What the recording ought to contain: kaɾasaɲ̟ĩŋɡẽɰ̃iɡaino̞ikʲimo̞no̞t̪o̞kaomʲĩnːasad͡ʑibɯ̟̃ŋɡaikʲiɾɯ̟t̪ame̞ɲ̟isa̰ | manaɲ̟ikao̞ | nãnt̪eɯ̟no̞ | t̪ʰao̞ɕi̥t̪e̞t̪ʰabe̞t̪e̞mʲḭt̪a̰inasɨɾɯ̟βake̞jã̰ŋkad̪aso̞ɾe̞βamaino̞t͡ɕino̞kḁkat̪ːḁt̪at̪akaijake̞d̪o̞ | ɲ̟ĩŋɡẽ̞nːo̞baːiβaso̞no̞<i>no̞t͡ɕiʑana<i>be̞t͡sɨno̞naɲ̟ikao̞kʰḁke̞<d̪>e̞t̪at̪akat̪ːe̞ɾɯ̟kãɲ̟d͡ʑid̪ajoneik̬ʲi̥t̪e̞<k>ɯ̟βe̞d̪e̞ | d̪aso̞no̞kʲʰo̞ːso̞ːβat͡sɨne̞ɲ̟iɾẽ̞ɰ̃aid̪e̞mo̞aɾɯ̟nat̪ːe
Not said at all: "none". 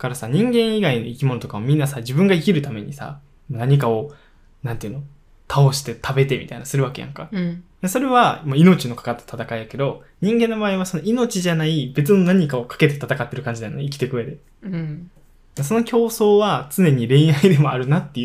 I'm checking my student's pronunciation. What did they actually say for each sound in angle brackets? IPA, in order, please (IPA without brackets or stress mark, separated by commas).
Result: i, i, t̪, k